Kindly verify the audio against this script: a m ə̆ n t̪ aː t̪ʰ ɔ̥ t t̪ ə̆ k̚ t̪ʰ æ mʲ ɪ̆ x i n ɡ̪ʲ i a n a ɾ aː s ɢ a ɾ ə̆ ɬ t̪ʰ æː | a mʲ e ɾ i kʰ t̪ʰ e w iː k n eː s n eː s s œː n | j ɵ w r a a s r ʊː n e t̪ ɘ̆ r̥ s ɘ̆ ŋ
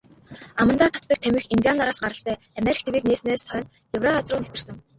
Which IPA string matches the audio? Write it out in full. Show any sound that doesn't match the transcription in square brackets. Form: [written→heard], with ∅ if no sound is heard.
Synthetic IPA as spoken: a m ə̆ n t̪ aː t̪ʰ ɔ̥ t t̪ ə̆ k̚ t̪ʰ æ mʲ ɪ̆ x i n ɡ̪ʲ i a n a ɾ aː s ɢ a ɾ ə̆ ɬ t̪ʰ æː | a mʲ e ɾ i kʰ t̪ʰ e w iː k n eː s n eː s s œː n | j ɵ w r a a [s→t͡s] r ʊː n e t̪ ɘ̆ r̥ s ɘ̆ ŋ